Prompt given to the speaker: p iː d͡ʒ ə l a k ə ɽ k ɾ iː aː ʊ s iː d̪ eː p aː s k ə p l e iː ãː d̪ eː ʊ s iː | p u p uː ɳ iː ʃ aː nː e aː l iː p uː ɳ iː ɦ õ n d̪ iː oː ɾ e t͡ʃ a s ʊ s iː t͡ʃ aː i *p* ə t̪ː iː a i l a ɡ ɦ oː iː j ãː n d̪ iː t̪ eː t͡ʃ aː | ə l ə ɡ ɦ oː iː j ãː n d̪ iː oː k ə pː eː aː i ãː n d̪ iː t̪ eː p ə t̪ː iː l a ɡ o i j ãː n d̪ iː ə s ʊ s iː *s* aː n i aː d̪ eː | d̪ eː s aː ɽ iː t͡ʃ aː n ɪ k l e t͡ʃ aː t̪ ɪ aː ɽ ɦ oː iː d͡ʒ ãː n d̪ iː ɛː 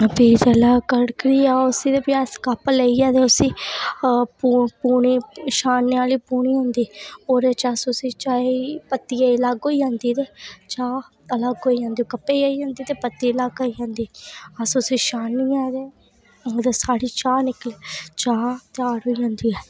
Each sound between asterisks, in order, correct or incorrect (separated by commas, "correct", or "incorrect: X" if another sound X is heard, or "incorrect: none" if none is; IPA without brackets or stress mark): correct, incorrect: ʃ